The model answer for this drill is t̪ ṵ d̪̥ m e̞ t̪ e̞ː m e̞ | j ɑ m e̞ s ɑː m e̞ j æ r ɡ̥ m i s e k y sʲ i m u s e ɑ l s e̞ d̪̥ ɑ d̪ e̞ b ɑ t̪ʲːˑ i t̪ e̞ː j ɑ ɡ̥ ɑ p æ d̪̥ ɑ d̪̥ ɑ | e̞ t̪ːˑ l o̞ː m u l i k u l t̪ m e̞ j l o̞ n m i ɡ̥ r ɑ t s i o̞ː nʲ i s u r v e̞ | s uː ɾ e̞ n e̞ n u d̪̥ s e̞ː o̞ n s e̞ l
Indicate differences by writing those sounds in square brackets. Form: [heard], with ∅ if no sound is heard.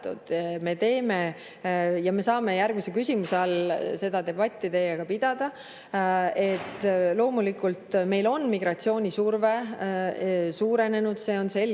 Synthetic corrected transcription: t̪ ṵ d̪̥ m e̞ t̪ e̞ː m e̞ | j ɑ m e̞ s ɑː m e̞ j æ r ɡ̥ m i s e k y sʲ i m u s e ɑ l s e̞ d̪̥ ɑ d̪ e̞ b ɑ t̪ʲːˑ i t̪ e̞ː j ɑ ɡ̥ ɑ p [i] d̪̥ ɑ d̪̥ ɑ | e̞ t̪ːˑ l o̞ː m u l i k u l t̪ m e̞ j l o̞ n m i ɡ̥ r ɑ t s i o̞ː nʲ i s u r v e̞ | s uː ɾ e̞ n e̞ n u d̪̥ s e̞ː o̞ n s e̞ l

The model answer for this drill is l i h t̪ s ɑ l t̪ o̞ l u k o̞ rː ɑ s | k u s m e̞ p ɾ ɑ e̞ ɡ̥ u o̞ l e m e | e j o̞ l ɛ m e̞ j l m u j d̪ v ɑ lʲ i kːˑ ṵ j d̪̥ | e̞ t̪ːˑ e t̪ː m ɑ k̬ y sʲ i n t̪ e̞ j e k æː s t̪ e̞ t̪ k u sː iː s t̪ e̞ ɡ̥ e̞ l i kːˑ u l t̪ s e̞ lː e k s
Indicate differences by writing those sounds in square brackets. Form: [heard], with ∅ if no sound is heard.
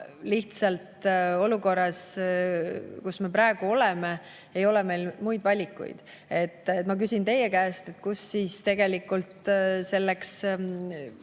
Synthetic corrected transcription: l i h t̪ s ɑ l t̪ o̞ l u k o̞ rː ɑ s | k u s m e̞ p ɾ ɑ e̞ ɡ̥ u o̞ l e m e | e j o̞ l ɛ m e̞ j l m u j d̪ v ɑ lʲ i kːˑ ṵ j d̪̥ | e̞ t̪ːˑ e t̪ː m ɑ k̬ y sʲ i n t̪ e̞ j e k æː s t̪ e̞ t̪ k u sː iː s t̪ e̞ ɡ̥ e̞ l i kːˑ u l t̪ s e̞ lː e k s

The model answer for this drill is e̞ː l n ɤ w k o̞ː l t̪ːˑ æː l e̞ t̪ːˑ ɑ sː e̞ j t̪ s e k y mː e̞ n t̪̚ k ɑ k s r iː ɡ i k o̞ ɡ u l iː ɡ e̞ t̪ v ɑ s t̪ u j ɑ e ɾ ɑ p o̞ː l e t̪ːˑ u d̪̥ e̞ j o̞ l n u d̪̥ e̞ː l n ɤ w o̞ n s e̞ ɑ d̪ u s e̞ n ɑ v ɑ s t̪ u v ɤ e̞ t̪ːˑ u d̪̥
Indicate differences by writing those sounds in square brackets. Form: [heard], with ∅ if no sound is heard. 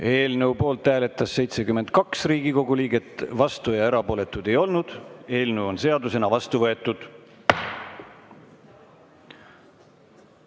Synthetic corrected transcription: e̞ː l n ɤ w [p] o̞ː l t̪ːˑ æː l e̞ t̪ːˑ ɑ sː e̞ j t̪ s e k y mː e̞ n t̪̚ k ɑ k s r iː ɡ i k o̞ ɡ u l iː ɡ e̞ t̪ v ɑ s t̪ u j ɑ e ɾ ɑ p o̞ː l e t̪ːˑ u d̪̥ e̞ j o̞ l n u d̪̥ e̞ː l n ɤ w o̞ n s e̞ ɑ d̪ u s e̞ n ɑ v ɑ s t̪ u v ɤ e̞ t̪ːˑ u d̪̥

